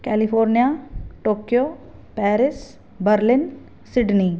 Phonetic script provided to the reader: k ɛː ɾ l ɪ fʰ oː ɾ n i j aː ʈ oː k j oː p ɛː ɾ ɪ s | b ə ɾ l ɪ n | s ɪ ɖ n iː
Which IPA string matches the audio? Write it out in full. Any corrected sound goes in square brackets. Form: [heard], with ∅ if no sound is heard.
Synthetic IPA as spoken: k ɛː [∅] l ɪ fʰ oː ɾ n i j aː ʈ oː k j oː p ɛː ɾ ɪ s | b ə ɾ l ɪ n | s ɪ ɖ n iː